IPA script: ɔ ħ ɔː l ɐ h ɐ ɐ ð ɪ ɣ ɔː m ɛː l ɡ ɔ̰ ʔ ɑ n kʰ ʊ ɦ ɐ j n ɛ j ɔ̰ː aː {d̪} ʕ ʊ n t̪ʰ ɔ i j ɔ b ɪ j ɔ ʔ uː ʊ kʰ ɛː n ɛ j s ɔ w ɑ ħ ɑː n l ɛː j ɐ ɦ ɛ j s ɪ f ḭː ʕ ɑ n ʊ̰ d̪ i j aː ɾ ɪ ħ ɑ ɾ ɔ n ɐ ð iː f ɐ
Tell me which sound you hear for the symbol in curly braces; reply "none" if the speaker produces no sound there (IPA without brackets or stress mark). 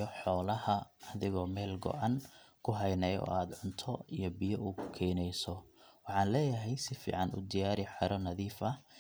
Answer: d̪